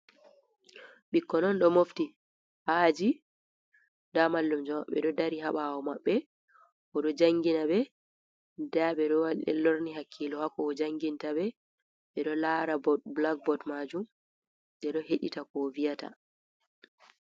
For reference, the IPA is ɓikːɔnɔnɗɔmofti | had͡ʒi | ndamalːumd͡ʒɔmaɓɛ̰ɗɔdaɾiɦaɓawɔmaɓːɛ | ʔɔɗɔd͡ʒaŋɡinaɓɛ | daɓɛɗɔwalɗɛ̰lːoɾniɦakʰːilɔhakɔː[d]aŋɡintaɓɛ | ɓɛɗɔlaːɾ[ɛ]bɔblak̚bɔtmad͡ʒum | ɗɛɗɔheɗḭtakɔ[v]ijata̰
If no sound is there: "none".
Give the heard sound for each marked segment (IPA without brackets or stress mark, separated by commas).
d͡ʒ, a, v